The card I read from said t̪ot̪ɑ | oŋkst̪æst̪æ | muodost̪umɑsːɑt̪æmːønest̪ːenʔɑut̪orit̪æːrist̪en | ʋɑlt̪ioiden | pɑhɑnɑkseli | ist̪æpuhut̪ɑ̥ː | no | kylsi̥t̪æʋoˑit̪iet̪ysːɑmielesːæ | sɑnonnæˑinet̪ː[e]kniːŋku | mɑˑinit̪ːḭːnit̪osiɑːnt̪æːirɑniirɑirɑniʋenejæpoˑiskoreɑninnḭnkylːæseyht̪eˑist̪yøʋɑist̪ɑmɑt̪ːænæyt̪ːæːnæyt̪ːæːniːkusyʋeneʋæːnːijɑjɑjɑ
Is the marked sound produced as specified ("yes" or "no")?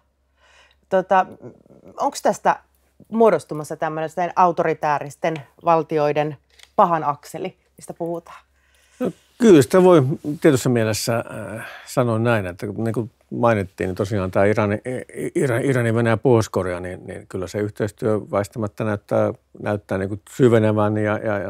no